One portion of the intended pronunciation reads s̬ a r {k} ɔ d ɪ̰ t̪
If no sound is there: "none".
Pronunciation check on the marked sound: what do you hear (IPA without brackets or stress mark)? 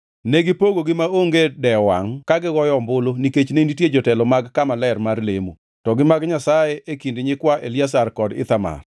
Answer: k